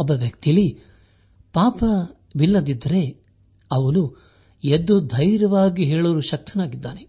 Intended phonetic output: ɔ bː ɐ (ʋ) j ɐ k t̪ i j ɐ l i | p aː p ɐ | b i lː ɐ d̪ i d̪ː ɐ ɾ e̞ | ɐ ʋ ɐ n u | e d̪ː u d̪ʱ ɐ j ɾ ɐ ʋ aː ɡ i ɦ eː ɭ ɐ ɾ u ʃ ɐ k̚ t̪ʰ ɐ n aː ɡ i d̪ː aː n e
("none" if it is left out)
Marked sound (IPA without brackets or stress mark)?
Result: ʋ